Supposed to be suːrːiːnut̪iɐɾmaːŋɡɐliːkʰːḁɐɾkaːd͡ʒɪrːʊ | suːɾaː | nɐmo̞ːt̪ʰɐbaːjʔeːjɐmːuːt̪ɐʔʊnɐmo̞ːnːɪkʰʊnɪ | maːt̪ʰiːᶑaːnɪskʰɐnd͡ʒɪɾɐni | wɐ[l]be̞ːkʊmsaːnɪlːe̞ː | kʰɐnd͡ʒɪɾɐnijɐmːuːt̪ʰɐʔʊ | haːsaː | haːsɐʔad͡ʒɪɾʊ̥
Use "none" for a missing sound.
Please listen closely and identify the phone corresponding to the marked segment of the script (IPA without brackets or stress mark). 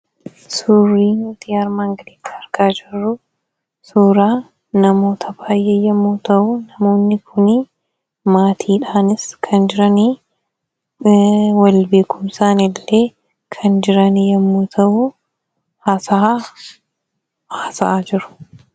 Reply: l